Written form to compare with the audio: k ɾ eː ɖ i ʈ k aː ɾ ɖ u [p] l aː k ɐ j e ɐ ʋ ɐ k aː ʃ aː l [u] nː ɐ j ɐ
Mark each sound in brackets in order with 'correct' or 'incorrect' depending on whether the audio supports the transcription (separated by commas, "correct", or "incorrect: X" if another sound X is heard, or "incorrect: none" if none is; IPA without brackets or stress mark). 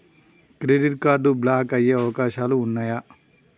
incorrect: b, incorrect: uː